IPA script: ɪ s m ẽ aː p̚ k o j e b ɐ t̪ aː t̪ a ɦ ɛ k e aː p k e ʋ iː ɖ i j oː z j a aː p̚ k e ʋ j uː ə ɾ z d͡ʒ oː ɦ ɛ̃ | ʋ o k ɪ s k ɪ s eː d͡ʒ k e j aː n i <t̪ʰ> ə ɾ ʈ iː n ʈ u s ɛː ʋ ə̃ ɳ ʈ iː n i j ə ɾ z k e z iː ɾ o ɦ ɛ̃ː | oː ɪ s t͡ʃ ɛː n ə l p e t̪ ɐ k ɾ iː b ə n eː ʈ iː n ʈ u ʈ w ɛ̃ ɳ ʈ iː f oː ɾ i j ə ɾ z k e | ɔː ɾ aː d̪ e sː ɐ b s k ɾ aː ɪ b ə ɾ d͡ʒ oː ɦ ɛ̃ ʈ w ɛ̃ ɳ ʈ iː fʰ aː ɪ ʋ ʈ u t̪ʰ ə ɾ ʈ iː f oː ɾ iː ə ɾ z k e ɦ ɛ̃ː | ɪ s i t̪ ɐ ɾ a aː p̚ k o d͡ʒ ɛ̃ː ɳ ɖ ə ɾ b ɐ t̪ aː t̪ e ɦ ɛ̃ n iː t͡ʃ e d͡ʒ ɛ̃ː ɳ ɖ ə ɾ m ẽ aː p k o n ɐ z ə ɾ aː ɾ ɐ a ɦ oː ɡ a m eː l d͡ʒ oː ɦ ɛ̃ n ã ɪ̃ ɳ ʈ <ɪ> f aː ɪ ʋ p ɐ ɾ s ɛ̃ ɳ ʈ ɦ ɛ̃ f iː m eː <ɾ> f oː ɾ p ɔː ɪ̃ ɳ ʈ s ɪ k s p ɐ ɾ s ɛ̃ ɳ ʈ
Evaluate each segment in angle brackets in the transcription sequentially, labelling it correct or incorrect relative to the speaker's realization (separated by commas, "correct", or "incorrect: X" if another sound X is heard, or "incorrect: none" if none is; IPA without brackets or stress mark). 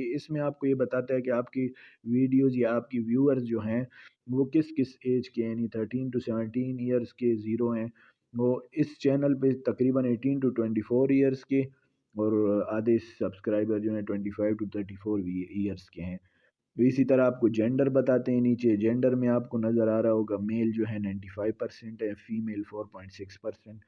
correct, incorrect: i, incorrect: l